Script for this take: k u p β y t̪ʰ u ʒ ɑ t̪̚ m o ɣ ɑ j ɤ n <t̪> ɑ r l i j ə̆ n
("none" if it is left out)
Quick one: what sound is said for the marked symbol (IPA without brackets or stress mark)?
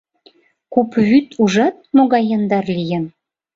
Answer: d̪